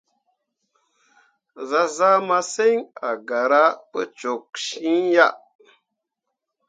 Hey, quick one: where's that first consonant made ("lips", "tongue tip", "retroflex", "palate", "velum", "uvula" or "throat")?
tongue tip